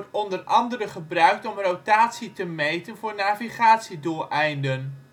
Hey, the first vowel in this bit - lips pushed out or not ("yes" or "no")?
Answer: yes